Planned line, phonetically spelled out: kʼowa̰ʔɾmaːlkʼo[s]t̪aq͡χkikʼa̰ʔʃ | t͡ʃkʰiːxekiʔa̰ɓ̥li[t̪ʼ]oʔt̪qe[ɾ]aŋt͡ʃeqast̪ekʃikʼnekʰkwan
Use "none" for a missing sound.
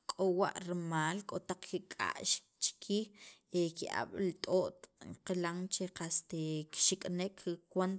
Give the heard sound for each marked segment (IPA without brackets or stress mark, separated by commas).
none, t̪ʼ, l